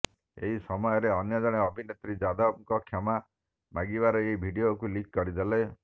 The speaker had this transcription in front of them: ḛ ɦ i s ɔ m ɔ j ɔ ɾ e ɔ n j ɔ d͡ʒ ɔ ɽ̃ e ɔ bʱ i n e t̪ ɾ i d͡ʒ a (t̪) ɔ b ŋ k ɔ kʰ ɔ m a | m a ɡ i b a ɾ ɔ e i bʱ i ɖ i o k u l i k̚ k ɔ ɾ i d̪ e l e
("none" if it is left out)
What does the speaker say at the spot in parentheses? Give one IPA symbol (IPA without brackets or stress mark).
d̪